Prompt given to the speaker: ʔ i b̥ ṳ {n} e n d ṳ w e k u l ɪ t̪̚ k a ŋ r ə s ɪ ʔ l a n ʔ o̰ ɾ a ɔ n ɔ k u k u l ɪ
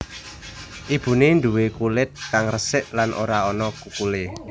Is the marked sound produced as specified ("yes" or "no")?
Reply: yes